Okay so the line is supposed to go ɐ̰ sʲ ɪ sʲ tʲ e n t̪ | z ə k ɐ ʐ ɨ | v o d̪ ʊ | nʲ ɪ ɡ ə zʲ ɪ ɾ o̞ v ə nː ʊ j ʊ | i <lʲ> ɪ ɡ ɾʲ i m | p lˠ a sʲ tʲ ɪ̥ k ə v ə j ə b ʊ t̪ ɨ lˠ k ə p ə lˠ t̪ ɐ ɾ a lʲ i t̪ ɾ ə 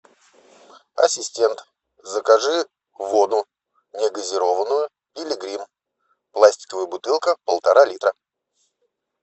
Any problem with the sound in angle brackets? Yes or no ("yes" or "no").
no